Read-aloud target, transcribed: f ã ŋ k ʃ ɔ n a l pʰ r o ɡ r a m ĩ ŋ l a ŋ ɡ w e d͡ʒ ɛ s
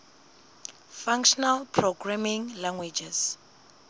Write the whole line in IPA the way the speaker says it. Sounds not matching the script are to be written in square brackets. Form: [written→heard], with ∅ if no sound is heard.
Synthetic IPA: f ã ŋ k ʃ ɔ n a l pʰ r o ɡ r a m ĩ ŋ l a ŋ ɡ w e d͡ʒ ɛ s

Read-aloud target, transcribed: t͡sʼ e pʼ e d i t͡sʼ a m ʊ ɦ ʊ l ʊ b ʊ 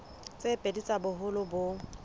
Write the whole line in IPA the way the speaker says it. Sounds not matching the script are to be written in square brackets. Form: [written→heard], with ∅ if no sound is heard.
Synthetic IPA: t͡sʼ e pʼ e d i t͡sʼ a [m→b] ʊ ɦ ʊ l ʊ b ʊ

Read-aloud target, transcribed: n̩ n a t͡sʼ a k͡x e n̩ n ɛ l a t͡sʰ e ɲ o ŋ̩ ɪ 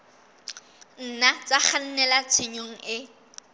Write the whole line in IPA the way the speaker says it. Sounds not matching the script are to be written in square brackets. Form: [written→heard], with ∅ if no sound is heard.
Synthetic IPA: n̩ n a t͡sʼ a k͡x [e→a] n̩ n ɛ l a t͡sʰ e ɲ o ŋ̩ ɪ

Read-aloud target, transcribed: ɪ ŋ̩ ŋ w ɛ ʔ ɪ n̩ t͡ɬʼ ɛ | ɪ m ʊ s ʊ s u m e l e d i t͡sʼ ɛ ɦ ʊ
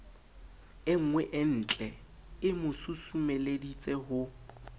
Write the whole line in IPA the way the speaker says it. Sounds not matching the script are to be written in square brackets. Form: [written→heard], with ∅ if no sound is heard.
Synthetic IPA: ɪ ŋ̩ ŋ w ɛ ʔ ɪ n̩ t͡ɬʼ ɛ | ɪ m ʊ s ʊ s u m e l e d i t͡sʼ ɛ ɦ ʊ

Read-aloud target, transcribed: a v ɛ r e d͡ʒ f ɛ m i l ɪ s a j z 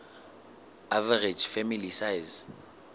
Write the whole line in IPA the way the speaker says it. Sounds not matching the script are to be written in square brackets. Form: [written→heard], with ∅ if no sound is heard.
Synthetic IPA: a v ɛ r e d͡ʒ f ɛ m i l [ɪ→i] s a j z

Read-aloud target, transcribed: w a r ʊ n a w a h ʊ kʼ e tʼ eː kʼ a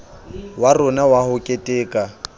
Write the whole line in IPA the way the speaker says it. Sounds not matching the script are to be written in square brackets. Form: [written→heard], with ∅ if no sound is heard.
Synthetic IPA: w a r ʊ n a w a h ʊ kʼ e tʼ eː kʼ a

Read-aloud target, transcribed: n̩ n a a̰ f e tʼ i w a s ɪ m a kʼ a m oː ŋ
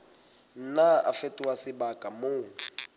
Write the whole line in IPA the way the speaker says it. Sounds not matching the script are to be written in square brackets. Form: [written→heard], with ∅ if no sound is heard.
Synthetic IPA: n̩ n a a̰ f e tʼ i w a s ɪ [m→b] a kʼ a m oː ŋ

